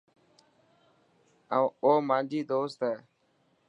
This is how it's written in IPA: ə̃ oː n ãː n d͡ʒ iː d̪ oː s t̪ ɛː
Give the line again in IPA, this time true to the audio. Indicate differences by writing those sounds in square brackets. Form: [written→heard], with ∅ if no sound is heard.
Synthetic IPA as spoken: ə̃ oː [n→m] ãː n d͡ʒ iː d̪ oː s t̪ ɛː